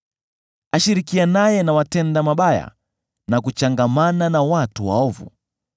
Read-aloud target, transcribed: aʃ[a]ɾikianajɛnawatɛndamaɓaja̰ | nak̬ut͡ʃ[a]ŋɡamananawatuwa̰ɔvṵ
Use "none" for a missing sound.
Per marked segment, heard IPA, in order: i, a

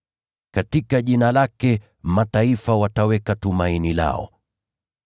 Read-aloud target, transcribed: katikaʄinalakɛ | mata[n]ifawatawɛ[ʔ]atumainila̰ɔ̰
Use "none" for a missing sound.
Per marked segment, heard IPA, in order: none, k

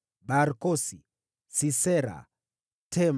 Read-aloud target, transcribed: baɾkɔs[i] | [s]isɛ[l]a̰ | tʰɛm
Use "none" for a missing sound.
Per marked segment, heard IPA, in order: i, s, ɾ

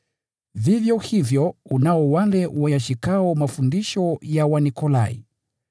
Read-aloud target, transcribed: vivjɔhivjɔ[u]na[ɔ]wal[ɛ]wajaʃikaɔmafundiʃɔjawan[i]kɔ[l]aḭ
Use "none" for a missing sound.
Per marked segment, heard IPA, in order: u, ɔ, ɛ, i, l

